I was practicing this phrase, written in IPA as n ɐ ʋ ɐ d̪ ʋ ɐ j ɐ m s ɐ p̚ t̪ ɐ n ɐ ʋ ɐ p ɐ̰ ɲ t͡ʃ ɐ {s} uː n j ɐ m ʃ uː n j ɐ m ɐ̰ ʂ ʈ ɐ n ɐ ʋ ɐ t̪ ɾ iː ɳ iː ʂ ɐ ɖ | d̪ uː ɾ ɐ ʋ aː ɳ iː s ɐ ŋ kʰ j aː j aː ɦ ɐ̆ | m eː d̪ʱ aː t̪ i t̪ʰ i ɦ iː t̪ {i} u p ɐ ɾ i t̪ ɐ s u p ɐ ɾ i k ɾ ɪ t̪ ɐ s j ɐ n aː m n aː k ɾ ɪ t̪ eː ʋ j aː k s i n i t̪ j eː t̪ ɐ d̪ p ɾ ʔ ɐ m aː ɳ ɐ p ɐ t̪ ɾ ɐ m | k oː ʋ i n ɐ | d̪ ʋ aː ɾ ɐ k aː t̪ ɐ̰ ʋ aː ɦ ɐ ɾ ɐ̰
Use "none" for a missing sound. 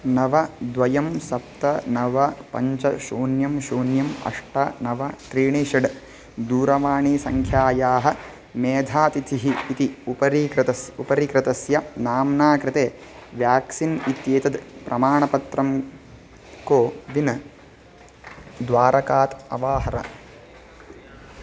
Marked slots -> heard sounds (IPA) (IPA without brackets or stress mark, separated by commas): ʃ, i